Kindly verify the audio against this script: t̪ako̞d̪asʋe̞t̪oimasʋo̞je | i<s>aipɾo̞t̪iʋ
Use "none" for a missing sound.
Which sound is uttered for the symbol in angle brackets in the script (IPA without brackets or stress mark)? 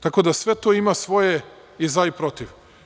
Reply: z